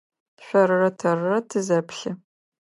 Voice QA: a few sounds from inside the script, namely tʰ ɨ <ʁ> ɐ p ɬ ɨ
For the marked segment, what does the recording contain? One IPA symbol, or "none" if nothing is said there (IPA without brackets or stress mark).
z